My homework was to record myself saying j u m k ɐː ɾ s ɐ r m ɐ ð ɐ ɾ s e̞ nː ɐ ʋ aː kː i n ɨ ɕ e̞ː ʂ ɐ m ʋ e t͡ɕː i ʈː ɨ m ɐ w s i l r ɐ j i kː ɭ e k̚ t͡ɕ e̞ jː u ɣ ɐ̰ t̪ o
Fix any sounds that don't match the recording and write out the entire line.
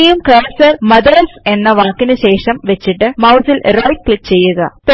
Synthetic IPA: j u m k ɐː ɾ s ɐ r m ɐ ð ɐ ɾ s e̞ nː ɐ ʋ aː kː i n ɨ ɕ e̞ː ʂ ɐ m ʋ e t͡ɕː i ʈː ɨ m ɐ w s i l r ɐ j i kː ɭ i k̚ t͡ɕ e̞ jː u ɣ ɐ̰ t̪ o